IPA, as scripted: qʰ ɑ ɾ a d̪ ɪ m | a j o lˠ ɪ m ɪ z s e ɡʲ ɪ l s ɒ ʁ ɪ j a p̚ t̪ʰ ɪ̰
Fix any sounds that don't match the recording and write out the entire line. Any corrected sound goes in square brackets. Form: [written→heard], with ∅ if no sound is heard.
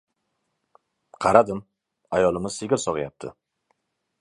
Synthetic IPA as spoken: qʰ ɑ ɾ a d̪ ɪ m | a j [o→ɒ] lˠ ɪ m ɪ z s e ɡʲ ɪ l s ɒ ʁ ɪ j a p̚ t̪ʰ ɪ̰